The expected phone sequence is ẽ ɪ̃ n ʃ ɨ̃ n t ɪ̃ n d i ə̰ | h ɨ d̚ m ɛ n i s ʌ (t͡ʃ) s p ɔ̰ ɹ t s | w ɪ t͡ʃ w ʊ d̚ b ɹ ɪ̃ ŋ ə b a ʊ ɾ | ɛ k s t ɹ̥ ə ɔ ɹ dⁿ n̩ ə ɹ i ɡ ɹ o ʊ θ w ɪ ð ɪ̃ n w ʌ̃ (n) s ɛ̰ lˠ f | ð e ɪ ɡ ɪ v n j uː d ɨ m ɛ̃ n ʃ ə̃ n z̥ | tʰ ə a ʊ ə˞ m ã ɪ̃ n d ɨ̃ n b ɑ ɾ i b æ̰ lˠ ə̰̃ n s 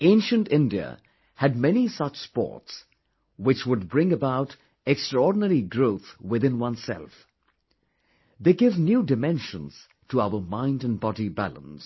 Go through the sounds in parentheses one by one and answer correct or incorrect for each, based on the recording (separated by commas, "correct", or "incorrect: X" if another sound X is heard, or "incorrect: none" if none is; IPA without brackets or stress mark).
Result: correct, correct